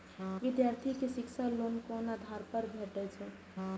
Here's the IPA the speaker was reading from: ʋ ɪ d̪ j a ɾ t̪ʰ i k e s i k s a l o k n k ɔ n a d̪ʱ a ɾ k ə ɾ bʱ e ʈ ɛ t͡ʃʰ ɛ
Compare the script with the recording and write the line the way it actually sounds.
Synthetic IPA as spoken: ʋ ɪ d̪ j a ɾ t̪ʰ i k e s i k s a l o n k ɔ n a d̪ʱ a ɾ p ə ɾ bʱ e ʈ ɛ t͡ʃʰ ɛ

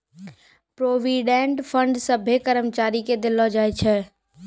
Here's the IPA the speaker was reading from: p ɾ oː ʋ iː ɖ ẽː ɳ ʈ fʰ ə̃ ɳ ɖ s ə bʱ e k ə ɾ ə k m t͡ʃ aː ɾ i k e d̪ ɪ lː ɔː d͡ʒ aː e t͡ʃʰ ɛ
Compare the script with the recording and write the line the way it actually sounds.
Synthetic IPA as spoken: p ɾ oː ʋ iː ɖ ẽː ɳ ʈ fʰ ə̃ ɳ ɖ s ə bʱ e k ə ɾ ə m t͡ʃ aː ɾ i k e d̪ ɪ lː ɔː d͡ʒ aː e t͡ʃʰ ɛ

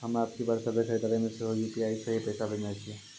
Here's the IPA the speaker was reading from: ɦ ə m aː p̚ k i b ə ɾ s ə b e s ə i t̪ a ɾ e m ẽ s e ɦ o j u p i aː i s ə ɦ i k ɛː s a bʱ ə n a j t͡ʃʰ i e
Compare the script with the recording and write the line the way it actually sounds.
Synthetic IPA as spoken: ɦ ə m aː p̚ k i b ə ɾ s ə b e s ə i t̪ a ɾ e m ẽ s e ɦ o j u p i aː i s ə ɦ i p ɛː s a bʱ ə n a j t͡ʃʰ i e

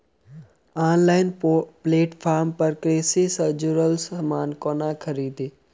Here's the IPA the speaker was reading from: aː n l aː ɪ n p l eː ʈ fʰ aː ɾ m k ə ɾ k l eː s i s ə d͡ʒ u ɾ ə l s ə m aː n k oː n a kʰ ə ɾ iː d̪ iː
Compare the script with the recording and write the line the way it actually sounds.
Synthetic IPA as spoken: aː n l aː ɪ n p l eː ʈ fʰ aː ɾ m p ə ɾ k ɾ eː s i s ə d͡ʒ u ɾ ə l s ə m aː n k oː n a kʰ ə ɾ iː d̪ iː

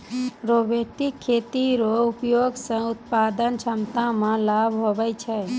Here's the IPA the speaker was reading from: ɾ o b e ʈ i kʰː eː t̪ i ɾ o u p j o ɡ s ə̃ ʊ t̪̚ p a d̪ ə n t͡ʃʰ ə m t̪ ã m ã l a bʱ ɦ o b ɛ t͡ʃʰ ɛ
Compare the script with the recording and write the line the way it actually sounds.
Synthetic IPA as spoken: ɾ o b e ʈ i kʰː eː t̪ i ɾ o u p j o ɡ s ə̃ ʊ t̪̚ p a d̪ ə n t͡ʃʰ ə m t̪ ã m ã l a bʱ ɦ o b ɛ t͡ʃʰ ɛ

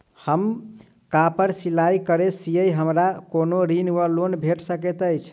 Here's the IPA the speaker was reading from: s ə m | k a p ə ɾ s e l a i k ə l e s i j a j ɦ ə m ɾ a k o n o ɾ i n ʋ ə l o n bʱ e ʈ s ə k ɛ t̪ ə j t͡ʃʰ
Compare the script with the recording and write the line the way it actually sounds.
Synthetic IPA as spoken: h ə m | k a p ə ɾ s i l a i k ə ɾ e s i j ə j ɦ ə m ɾ a k o n o ɾ i n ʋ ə l o n bʱ e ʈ s ə k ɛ t̪ ə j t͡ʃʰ

